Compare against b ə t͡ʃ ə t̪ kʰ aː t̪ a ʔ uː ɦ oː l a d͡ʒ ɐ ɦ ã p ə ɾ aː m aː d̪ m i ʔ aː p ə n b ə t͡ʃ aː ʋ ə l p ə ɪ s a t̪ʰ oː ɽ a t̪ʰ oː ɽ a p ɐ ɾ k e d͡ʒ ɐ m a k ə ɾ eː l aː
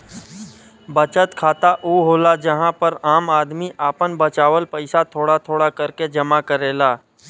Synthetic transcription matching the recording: b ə t͡ʃ ə t̪ kʰ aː t̪ a ʔ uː ɦ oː l a d͡ʒ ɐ ɦ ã p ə ɾ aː m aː d̪ m i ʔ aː p ə n b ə t͡ʃ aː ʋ ə l p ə ɪ s a t̪ʰ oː ɽ a t̪ʰ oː ɽ a k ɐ ɾ k e d͡ʒ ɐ m a k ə ɾ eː l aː